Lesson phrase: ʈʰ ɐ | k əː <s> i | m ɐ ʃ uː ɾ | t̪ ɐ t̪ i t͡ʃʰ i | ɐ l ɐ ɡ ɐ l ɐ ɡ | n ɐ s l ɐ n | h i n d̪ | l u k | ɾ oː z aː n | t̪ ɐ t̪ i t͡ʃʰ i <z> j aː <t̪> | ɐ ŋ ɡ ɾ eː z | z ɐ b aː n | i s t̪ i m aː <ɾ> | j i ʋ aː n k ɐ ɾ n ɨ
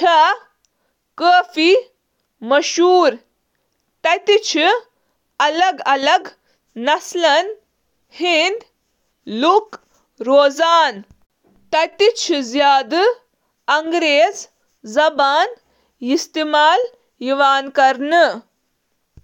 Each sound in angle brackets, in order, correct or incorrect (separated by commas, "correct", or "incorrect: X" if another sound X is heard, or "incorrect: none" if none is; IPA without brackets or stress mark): incorrect: f, correct, incorrect: d̪, incorrect: l